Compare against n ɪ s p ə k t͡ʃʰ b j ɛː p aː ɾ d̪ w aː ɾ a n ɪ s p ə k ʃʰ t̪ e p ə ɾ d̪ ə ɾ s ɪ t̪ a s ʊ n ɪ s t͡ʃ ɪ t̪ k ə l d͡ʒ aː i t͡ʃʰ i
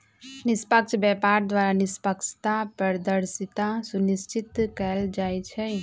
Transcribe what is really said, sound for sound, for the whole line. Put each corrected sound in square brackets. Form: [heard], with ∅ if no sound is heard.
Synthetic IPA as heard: n ɪ s p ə k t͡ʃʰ b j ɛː p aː ɾ d̪ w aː ɾ a n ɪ s p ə k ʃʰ t̪ [a] p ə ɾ d̪ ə ɾ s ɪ t̪ a s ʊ n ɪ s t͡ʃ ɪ t̪ k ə l d͡ʒ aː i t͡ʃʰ [ɛ]